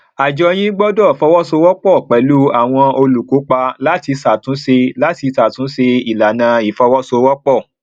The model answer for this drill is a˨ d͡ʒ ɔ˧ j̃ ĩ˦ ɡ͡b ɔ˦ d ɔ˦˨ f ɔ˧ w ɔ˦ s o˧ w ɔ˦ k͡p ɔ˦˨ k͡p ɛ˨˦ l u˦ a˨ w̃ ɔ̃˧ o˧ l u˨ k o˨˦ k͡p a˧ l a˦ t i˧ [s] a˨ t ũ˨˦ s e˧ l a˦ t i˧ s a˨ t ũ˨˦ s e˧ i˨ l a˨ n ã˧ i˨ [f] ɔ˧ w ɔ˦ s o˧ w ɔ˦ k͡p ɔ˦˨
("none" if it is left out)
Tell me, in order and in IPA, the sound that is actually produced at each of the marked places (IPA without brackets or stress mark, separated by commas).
s, f